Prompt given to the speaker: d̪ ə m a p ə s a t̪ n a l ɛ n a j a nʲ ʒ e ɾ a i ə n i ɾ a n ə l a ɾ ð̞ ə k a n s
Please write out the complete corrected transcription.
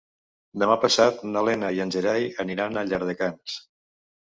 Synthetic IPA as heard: d̪ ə m a p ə s a t̪ n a l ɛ n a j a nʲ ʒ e ɾ a j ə n i ɾ a n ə ʎ a ɾ ð̞ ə k a n s